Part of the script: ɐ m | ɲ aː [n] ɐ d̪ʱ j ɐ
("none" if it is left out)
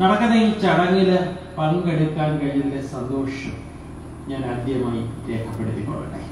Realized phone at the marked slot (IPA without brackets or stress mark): n